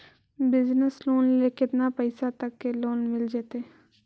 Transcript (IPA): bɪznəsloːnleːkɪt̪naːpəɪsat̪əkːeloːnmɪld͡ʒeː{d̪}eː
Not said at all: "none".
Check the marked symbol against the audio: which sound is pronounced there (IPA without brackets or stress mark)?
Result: t̪